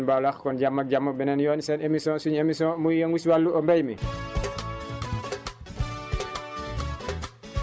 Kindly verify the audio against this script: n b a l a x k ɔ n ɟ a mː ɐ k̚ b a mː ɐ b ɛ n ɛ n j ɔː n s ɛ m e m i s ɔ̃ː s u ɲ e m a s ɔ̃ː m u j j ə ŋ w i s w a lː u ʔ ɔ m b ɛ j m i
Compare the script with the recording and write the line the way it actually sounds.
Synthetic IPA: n b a l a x k ɔ n ɟ a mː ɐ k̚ ɟ a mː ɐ b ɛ n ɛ n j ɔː n s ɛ n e m i s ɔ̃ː s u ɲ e m i s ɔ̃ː m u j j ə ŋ w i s w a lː u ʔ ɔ m b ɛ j m i